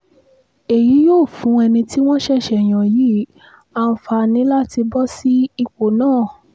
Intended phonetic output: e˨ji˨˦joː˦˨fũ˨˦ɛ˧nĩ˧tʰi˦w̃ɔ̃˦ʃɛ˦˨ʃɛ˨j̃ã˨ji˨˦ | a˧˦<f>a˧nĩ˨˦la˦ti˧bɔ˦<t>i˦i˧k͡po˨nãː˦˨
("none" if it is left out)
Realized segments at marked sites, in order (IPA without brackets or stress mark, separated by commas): f, s